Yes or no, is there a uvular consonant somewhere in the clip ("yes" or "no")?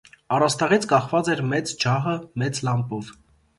yes